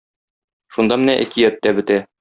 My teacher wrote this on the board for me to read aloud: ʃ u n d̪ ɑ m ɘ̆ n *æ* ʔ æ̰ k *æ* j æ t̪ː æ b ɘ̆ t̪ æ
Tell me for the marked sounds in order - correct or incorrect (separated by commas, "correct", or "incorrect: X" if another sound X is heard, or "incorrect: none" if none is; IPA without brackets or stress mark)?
correct, incorrect: i